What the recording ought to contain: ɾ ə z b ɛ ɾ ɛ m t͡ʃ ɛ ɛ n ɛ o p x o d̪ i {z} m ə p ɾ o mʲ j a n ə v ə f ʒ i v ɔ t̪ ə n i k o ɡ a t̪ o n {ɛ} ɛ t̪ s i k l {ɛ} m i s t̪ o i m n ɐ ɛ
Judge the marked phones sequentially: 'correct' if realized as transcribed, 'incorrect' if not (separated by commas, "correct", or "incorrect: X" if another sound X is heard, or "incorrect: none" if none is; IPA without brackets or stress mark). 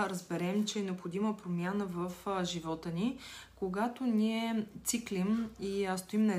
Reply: incorrect: none, incorrect: i, incorrect: i